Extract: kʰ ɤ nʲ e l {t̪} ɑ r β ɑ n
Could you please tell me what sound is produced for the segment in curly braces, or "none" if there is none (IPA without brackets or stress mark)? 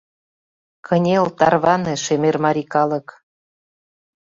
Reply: t̪